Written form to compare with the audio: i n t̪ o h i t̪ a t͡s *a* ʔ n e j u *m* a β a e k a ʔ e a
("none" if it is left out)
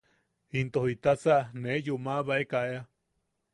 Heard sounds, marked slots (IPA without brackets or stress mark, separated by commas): a, m